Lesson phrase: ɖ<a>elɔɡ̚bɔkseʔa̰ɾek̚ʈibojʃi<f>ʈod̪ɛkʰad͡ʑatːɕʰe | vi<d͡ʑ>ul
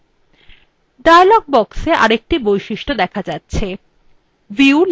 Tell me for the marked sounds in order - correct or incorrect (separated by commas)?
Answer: correct, incorrect, incorrect